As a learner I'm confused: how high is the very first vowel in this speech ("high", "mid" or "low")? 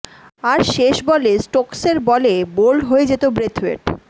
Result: low